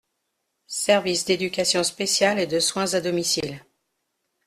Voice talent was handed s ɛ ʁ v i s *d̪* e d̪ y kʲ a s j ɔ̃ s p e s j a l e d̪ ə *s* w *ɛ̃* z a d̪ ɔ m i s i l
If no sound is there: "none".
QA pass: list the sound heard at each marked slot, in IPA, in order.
d̪, s, ɛ̃

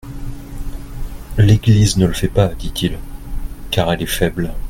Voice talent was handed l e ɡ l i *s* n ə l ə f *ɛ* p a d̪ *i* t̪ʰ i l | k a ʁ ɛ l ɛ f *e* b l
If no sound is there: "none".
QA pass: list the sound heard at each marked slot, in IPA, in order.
z, ɛ, i, ɛ

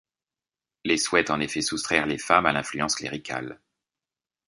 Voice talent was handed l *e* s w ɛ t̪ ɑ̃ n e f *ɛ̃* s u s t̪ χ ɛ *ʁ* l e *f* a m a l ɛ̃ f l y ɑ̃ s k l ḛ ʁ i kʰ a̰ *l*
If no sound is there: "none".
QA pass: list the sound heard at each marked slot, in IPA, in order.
e, ɛ, ʁ, f, l

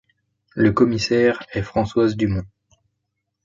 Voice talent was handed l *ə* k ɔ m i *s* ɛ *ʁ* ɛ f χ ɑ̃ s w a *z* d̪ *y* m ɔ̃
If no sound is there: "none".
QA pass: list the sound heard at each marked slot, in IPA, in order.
ə, s, ʁ, z, y

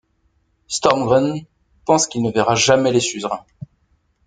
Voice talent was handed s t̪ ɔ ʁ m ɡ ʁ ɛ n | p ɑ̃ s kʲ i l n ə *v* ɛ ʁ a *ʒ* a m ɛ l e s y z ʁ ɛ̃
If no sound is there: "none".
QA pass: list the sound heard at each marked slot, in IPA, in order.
v, ʒ

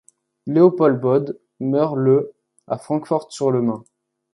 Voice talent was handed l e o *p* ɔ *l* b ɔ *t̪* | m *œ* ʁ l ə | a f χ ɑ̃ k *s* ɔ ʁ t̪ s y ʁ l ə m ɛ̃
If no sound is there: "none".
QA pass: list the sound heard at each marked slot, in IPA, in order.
p, l, d̪, œ, f

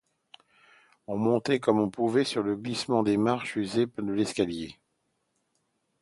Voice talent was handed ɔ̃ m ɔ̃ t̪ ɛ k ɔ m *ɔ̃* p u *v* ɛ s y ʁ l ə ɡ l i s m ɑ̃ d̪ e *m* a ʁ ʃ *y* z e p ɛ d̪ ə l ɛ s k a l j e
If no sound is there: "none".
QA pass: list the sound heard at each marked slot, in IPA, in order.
ɔ̃, v, m, y

